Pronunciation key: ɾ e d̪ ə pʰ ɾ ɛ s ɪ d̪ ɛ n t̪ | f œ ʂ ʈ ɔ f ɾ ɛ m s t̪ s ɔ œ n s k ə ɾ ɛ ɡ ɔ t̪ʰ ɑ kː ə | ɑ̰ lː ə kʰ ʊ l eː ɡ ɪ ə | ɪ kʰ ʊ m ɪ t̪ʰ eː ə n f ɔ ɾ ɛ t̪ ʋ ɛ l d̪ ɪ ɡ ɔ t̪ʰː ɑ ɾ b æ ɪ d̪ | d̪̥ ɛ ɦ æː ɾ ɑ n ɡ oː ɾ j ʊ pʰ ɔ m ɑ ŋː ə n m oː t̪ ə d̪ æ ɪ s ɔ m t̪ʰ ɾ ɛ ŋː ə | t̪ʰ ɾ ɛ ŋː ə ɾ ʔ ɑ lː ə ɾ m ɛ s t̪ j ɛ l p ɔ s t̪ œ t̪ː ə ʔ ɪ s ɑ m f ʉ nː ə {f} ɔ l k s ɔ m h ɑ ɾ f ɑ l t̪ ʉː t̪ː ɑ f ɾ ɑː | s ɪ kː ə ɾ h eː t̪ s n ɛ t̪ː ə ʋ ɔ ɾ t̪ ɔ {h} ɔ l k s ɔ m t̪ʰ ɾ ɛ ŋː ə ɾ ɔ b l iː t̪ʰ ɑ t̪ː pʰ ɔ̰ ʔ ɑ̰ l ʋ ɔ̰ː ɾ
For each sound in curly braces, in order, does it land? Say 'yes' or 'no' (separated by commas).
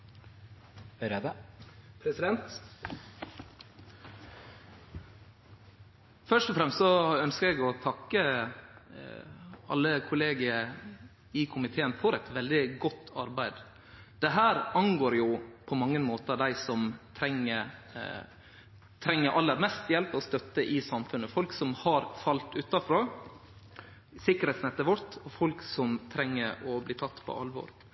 yes, no